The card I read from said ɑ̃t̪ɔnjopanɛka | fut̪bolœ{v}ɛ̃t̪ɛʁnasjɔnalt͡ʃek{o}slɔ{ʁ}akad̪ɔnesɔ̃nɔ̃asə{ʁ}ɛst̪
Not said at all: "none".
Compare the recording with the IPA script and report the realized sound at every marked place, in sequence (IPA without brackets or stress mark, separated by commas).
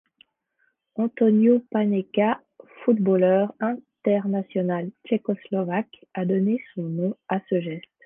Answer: ʁ, ɔ, v, ʒ